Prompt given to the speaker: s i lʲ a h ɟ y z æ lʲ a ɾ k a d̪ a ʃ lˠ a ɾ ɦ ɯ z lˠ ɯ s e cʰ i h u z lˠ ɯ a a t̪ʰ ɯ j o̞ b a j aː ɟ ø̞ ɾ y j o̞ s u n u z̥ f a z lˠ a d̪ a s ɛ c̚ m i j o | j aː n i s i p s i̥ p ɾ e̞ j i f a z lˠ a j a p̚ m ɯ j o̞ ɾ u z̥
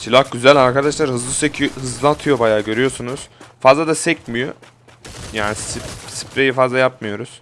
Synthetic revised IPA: s i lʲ a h ɟ y z æ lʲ a ɾ k a d̪ a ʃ lˠ a ɾ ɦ ɯ z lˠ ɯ s e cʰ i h ɯ z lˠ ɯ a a t̪ʰ ɯ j o̞ b a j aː ɟ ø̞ ɾ y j o̞ s u n u z̥ f a z lˠ a d̪ a s ɛ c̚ m i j o | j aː n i s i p s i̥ p ɾ e̞ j i f a z lˠ a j a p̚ m ɯ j o̞ ɾ u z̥